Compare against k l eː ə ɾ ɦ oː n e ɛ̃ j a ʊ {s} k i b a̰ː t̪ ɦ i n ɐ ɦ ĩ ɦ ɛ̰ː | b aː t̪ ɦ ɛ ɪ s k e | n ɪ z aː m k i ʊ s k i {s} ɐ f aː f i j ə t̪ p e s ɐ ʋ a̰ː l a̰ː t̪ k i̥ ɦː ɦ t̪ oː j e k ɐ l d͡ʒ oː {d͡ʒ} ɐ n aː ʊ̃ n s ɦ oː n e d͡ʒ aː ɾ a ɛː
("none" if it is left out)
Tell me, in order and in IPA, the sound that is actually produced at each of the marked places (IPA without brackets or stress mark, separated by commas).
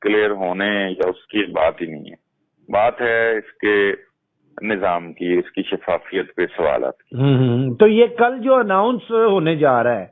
s, ʃ, none